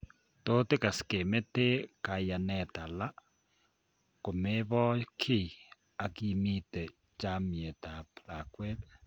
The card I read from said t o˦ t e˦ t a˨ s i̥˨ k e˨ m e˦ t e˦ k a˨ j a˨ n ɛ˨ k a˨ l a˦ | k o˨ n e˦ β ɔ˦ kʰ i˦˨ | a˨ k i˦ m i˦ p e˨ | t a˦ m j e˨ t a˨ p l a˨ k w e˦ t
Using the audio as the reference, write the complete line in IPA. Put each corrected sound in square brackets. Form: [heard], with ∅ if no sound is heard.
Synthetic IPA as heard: t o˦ t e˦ [k] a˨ s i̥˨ k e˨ m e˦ t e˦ k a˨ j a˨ n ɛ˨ [t] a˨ l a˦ | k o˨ [m] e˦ β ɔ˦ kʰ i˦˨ | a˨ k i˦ m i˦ [t] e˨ | [t͡ʃ] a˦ m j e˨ t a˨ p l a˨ k w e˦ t

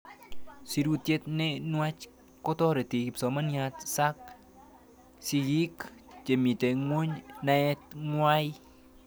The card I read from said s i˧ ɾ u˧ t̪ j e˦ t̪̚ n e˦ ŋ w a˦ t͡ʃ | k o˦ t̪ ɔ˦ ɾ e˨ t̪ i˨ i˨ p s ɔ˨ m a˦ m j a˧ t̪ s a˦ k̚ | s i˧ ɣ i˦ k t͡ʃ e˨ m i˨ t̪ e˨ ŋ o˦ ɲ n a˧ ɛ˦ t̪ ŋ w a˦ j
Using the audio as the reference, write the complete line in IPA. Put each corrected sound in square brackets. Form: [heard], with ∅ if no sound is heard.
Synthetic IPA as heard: s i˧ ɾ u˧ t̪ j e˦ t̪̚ n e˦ [n] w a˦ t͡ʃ | k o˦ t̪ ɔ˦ ɾ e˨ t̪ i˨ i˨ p s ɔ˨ m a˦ [n] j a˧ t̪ s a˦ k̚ | s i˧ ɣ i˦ k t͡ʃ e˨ m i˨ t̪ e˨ ŋ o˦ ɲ n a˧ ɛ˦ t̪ ŋ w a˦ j

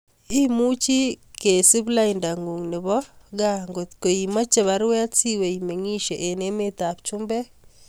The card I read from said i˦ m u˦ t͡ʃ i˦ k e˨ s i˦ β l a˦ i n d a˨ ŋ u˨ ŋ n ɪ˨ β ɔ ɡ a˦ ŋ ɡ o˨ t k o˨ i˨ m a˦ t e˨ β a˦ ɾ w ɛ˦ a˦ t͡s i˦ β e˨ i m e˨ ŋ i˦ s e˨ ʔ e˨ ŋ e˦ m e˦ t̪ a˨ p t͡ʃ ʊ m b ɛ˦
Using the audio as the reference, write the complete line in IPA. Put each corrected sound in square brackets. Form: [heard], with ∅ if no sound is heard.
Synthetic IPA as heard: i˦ m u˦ t͡ʃ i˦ k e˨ s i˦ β l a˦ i n d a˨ ŋ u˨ ŋ n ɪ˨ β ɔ ɡ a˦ ŋ ɡ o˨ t k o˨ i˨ m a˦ [t͡ʃ] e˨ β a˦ ɾ w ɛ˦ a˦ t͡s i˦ [w] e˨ i m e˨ ŋ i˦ [ʃ] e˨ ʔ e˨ [n] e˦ m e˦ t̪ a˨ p t͡ʃ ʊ m b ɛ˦

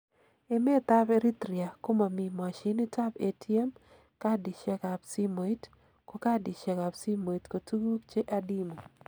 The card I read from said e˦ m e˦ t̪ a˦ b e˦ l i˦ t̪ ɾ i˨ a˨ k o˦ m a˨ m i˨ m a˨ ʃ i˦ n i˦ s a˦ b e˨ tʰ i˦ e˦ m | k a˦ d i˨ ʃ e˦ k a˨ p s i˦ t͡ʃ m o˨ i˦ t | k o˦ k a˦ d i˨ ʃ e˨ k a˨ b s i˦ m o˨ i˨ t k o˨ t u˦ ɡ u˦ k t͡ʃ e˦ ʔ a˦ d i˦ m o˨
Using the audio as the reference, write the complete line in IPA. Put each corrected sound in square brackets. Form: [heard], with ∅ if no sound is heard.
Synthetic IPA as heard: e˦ m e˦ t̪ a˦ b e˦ [ɾ] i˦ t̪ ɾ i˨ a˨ k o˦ m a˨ m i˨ m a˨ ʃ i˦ n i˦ [t] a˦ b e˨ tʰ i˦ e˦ m | k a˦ d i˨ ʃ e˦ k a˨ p s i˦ [∅] m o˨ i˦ t | k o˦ k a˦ d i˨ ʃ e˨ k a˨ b s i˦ m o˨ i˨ t k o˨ t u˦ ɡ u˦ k t͡ʃ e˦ ʔ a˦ d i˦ m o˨

